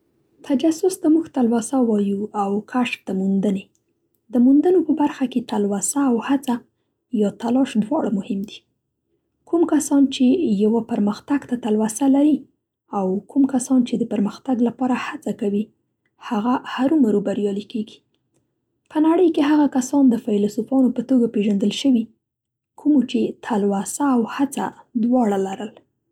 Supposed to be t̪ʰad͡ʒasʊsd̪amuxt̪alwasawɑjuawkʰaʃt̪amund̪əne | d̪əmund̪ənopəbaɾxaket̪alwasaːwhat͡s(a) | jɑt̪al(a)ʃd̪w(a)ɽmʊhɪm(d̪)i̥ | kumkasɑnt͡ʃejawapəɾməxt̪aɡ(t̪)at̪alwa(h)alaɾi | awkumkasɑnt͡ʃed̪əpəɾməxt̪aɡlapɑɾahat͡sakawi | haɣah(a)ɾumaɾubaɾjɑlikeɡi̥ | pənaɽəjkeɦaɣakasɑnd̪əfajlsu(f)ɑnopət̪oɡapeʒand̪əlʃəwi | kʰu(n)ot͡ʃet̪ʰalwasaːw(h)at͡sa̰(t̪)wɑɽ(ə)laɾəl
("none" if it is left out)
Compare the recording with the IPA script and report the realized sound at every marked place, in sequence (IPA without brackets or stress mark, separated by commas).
a, ɑ, ɑ, d̪, t̪, s, a, f, m, h, d̪, a